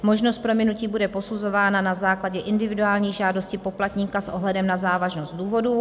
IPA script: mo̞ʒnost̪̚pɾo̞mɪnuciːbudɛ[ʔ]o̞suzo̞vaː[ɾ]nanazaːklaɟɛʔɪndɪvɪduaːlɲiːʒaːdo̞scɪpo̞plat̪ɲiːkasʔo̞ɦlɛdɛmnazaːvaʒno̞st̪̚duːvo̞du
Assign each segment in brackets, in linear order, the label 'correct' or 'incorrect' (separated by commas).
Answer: incorrect, incorrect